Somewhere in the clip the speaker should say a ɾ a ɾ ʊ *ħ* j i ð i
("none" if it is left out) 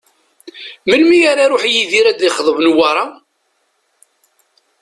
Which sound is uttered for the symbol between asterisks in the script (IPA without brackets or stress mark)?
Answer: ħ